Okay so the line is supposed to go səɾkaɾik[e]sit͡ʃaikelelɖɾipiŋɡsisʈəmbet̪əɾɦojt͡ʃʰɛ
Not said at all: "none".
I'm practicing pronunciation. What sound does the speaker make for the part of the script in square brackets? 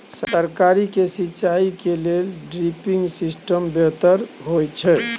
e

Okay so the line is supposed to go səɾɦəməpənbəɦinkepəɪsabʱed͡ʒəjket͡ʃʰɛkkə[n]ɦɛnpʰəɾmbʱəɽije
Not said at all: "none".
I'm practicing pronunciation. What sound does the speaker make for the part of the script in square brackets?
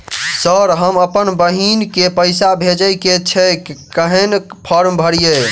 none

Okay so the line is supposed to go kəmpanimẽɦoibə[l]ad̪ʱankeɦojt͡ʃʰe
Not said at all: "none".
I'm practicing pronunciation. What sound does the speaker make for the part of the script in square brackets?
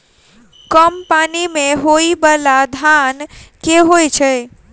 l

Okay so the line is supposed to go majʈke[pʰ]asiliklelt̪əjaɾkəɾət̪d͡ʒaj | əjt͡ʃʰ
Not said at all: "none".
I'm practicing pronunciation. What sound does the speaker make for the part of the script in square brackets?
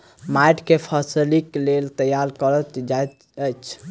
pʰ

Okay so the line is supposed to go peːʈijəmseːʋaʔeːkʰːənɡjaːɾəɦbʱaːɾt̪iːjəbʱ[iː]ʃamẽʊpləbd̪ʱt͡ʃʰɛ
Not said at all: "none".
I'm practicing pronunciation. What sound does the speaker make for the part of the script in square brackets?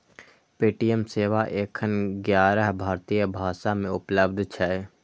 aː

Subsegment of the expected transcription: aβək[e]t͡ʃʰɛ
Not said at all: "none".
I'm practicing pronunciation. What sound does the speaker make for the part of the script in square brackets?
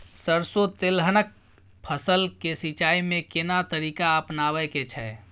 e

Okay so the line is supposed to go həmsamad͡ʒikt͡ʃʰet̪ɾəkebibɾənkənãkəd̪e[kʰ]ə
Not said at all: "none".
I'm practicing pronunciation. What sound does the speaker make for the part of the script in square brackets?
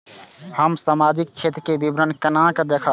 kʰ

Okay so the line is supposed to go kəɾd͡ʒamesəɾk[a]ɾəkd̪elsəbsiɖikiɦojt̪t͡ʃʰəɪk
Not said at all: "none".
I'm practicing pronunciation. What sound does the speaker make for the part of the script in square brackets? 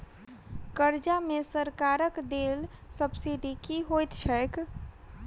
a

